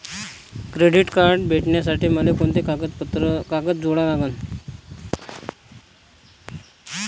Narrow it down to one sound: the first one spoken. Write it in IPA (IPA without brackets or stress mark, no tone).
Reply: k